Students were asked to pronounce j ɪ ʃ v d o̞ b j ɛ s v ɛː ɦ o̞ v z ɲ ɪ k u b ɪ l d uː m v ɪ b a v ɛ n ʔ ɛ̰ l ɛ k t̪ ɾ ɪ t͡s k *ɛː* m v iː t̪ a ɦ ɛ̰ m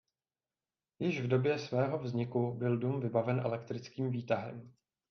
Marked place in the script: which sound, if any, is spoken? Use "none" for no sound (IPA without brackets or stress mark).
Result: iː